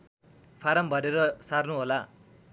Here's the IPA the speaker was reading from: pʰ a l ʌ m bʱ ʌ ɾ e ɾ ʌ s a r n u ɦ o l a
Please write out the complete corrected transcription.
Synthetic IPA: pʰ a ɾ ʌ m bʱ ʌ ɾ e ɾ ʌ s a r n u ɦ o l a